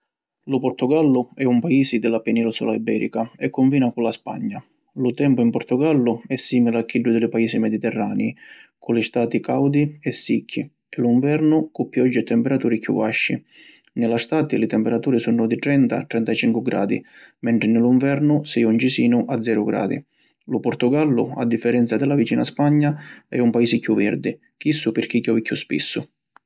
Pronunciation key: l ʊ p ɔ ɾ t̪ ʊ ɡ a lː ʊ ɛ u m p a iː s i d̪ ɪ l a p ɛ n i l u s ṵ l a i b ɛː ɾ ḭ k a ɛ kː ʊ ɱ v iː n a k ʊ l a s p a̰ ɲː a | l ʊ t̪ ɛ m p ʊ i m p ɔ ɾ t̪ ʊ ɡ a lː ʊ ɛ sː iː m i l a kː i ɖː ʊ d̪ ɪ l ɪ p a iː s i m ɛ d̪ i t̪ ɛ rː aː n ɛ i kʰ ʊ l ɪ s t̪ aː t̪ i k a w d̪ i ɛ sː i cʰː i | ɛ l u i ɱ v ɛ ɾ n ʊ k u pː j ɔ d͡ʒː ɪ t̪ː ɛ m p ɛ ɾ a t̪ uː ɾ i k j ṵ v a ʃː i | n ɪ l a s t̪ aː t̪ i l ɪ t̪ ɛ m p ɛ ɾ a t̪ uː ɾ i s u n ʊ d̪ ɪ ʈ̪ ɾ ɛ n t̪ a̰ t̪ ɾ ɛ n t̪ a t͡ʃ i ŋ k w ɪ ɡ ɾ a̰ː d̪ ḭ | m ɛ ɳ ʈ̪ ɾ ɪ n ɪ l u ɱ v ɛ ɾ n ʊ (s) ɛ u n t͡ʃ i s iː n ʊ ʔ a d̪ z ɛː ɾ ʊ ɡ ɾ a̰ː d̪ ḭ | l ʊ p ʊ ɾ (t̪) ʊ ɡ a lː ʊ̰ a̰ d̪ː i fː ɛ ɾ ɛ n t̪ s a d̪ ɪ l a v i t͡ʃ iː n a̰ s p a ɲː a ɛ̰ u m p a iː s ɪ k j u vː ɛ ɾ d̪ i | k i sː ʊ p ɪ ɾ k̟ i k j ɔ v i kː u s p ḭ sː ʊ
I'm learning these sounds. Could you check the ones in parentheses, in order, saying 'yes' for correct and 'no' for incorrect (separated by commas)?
yes, yes